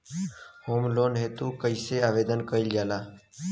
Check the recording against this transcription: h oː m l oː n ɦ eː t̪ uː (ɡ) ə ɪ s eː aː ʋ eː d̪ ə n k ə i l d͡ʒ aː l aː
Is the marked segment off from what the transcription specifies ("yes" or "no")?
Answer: yes